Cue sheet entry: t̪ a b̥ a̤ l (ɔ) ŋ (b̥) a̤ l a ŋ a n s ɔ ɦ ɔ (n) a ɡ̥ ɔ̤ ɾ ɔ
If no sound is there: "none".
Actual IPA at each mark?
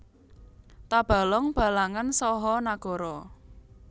ɔ, b̥, n

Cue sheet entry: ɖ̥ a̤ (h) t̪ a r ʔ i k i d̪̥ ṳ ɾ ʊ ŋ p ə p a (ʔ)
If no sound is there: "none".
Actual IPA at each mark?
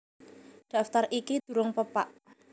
f, ʔ

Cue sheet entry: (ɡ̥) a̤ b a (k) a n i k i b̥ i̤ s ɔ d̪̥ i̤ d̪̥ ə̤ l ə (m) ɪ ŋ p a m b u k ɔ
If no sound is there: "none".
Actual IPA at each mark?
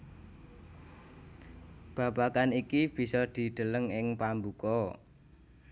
b̥, k, ŋ

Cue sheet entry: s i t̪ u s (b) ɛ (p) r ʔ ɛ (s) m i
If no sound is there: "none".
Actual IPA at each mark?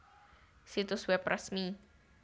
w, p, s

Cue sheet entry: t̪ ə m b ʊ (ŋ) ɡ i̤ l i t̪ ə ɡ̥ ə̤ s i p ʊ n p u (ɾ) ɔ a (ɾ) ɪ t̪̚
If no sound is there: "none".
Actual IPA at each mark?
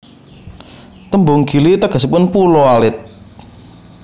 ŋ, l, l

